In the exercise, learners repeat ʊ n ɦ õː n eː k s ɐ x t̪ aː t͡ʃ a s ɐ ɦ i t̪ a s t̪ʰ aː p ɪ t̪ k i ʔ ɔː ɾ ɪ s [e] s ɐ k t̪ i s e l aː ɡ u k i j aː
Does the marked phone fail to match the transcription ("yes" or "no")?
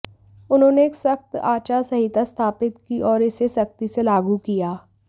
no